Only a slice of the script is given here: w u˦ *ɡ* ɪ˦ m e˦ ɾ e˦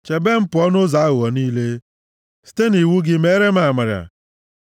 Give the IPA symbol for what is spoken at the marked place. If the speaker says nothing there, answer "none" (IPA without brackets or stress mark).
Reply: ɡ